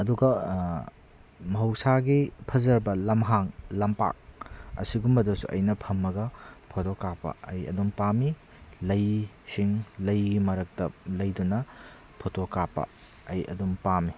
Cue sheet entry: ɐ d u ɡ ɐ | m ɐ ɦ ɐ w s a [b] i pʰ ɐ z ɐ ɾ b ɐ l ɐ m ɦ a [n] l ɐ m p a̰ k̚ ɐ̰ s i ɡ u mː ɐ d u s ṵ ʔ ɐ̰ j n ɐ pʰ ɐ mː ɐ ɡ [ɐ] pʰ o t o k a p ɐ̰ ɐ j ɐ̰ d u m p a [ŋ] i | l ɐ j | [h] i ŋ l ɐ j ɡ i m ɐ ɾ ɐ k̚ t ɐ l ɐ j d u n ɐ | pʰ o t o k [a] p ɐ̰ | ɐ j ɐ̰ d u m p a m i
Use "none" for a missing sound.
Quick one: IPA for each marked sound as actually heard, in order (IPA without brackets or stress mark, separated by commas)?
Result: ɡ, ŋ, ɐ, m, s, a